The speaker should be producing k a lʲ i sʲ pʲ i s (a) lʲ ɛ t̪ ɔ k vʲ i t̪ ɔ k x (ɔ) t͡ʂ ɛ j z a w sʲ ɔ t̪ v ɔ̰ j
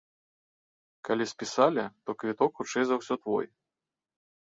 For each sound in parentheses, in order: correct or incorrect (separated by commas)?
correct, incorrect